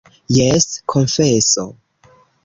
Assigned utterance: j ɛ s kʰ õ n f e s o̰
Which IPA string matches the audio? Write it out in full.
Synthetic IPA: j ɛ s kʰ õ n f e s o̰